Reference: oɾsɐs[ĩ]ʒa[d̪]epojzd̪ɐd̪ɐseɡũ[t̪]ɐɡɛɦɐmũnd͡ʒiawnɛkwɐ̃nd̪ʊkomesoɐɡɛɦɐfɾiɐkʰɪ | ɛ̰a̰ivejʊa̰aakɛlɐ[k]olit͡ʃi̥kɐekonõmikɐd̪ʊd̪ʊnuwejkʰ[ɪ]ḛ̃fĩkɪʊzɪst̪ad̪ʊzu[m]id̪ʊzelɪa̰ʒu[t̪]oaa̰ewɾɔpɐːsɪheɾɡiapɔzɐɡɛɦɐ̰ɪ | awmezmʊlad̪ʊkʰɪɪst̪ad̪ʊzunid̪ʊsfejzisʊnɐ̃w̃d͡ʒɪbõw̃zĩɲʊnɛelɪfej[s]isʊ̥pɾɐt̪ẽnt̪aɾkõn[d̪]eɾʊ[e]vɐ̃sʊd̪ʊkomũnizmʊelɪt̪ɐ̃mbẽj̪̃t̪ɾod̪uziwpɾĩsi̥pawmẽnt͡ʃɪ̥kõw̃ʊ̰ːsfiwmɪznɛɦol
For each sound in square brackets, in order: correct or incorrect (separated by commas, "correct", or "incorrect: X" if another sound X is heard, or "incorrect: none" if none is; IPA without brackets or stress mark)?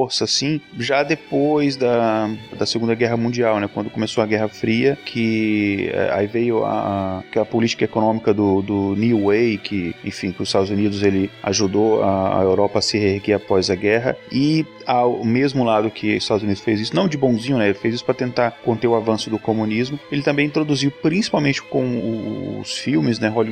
correct, correct, incorrect: d̪, incorrect: p, correct, incorrect: n, incorrect: d̪, incorrect: z, incorrect: t̪, incorrect: a